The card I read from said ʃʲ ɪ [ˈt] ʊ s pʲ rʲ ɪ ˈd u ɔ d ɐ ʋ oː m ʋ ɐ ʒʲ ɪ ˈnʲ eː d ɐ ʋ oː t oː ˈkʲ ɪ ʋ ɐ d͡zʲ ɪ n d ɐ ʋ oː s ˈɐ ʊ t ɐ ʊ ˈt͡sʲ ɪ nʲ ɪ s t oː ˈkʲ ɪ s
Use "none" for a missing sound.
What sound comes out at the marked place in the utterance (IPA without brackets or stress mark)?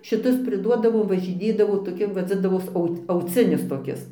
t